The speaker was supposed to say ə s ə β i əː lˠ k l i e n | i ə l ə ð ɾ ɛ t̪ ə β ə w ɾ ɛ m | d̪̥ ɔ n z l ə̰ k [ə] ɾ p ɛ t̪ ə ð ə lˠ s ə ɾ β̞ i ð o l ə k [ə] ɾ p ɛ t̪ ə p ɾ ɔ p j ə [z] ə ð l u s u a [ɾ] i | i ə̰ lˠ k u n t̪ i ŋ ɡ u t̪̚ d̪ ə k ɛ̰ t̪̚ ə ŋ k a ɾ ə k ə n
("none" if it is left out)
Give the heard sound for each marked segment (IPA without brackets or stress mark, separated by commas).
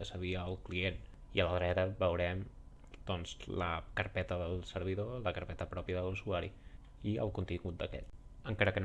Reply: ə, ə, ð, ɾ